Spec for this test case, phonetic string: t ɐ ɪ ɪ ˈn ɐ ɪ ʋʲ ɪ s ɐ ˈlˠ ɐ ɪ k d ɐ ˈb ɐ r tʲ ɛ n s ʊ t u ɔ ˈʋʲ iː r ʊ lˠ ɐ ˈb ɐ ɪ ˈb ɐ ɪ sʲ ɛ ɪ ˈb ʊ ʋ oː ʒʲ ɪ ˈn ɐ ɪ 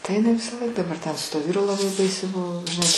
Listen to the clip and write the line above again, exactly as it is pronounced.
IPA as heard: t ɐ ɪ ɪ ˈn ɐ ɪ ʋʲ ɪ s ɐ ˈlˠ ɐ ɪ k d ɐ ˈb ɐ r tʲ ɛ n s ʊ t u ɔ ˈʋʲ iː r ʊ lˠ ɐ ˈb ɐ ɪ ˈb ɐ ɪ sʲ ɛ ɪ ˈb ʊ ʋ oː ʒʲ ɪ ˈn ɐ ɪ

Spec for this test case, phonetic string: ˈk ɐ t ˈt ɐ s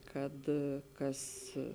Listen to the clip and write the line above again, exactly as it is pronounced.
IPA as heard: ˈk ɐ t ˈk ɐ s

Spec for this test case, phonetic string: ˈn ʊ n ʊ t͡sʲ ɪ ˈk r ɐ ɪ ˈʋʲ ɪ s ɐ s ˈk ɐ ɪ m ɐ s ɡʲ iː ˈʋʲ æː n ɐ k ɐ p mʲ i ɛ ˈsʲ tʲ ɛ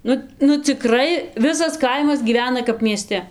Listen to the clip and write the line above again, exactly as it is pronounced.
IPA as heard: ˈn ʊ n ʊ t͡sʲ ɪ ˈk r ɐ ɪ ˈʋʲ ɪ s ɐ s ˈk ɐ ɪ m ɐ s ɡʲ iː ˈʋʲ æː n ɐ k ɐ p mʲ i ɛ ˈsʲ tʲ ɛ

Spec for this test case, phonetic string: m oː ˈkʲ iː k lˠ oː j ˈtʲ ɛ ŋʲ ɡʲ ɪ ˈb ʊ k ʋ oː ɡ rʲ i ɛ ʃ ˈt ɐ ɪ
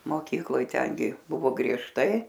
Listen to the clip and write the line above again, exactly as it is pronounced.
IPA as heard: m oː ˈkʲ iː k lˠ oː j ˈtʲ ɛ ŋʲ ɡʲ ɪ ˈb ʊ ʋ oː ɡ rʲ i ɛ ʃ ˈt ɐ ɪ

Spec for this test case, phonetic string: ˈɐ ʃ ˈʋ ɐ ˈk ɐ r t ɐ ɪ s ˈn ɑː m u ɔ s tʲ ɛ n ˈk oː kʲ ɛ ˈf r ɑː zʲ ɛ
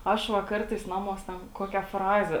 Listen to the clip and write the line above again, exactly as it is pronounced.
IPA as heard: ˈɐ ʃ ˈʋ ɐ ˈk ɐ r t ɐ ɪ s ˈn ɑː m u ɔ s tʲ ɛ n ˈk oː kʲ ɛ ˈf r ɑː zʲ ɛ

